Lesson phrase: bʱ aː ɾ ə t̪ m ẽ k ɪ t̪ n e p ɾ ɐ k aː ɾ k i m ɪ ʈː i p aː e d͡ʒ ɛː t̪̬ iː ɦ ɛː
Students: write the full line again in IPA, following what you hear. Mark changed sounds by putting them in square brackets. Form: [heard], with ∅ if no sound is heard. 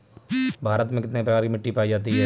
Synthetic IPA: bʱ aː ɾ ə t̪ m ẽ k ɪ t̪ n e p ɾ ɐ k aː ɾ k i m ɪ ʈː i p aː [i] d͡ʒ [aː] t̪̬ [i] ɦ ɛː